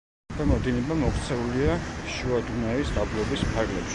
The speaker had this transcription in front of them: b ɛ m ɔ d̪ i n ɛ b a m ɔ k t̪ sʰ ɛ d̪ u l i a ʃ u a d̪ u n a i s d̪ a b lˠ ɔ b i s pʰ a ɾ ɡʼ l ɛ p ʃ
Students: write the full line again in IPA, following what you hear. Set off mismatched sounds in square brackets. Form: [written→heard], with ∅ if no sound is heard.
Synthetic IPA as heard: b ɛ m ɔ d̪ i n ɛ b a m ɔ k t̪ sʰ ɛ [d̪→∅] u l i a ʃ u a d̪ u n a i s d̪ a b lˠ ɔ b i s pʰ a ɾ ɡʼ l ɛ p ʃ